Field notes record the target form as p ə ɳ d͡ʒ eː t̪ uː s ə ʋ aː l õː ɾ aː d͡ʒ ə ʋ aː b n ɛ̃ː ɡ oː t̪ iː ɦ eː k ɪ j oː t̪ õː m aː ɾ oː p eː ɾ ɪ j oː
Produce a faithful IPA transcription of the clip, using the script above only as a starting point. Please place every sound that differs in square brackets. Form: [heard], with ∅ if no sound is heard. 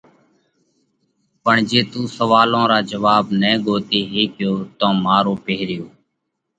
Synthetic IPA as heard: p ə ɳ d͡ʒ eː t̪ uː s ə ʋ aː l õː ɾ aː d͡ʒ ə ʋ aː b n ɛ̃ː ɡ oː t̪ iː ɦ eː k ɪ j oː t̪ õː m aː ɾ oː p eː ɾ ɪ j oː